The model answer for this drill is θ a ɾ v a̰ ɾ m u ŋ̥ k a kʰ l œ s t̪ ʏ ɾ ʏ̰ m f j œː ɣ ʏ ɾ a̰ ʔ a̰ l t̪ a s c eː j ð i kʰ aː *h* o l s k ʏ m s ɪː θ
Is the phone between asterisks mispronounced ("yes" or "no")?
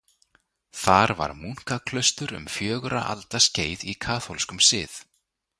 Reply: yes